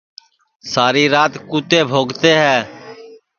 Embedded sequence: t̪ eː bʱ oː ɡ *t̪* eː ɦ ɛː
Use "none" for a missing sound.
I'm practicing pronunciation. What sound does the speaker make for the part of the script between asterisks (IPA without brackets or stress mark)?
t̪